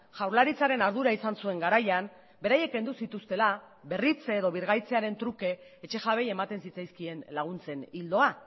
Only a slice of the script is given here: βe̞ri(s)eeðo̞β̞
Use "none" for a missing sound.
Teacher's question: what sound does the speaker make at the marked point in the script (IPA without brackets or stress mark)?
t͡s